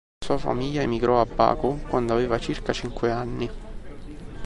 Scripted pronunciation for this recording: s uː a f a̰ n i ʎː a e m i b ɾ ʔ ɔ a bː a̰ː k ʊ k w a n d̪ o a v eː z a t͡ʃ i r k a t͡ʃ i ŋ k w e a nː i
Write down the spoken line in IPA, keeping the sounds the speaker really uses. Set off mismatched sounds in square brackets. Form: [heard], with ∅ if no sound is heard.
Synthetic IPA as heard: s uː a f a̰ [m] i ʎː a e m i [ɡ] ɾ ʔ ɔ a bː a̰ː k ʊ k w a n d̪ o a v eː [v] a t͡ʃ i r k a t͡ʃ i ŋ k w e a nː i

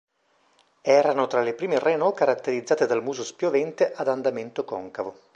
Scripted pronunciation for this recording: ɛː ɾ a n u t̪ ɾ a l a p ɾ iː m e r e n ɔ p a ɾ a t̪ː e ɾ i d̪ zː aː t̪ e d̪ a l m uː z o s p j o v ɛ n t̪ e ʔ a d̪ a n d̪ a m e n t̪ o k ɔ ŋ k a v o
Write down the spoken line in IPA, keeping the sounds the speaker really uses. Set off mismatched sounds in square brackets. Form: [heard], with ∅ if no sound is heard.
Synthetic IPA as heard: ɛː ɾ a n [o] t̪ ɾ a l [e] p ɾ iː m e r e n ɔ [k] a ɾ a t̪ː e ɾ i d̪ zː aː t̪ e d̪ a l m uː z o s p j o v ɛ n t̪ e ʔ a d̪ a n d̪ a m e n t̪ o k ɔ ŋ k a v o

